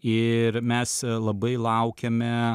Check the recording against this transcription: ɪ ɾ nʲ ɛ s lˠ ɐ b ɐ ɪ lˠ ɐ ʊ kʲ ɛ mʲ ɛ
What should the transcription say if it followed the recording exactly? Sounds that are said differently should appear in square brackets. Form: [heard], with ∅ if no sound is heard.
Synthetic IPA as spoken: ɪ ɾ [mʲ] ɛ s lˠ ɐ b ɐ ɪ lˠ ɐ ʊ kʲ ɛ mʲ ɛ